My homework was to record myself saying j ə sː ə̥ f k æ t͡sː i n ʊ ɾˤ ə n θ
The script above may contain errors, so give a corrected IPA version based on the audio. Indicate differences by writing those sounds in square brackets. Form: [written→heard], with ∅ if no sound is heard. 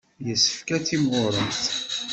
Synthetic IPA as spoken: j ə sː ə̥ f k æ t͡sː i [n→m] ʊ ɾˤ ə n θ